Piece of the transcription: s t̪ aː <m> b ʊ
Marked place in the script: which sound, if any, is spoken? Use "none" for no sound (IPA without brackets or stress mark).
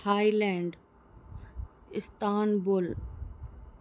n